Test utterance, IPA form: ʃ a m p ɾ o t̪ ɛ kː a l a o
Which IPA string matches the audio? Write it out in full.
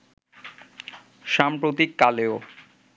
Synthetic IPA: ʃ a m p ɾ o t̪ i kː a l e o